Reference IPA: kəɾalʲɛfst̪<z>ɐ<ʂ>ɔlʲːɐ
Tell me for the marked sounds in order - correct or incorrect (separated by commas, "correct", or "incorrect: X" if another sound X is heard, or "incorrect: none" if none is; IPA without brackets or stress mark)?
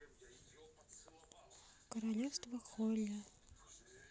incorrect: v, incorrect: x